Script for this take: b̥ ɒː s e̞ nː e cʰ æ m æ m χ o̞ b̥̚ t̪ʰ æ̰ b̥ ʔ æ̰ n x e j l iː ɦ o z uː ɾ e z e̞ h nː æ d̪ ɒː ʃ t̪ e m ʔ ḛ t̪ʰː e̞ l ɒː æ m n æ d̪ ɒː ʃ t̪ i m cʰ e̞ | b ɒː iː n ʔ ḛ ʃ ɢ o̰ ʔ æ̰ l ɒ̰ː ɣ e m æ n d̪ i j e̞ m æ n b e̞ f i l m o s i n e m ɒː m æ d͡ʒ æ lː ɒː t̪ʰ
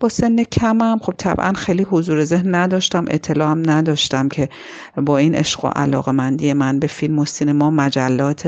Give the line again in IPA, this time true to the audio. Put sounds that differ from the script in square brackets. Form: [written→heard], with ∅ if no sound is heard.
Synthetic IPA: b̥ ɒː s e̞ nː e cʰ æ m æ m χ o̞ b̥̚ t̪ʰ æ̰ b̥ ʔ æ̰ n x e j l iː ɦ o z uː ɾ e z e̞ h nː æ d̪ ɒː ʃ t̪ [e→æ] m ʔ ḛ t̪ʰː e̞ l ɒː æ m n æ d̪ ɒː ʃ t̪ [i→æ] m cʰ e̞ | b ɒː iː n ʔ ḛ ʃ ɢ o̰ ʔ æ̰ l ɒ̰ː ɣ e m æ n d̪ i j e̞ m æ n b e̞ f i l m o s i n e m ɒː m æ d͡ʒ æ lː ɒː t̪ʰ